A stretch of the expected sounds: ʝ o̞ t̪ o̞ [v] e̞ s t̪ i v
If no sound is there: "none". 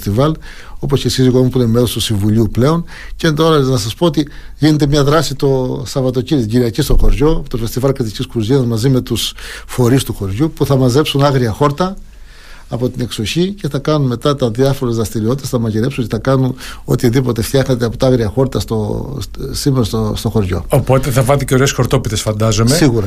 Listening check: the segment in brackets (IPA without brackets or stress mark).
f